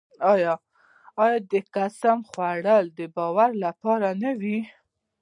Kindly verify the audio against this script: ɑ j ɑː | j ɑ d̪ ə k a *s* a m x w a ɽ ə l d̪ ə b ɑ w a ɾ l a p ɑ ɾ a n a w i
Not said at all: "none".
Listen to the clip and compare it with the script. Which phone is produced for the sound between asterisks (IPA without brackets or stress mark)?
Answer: s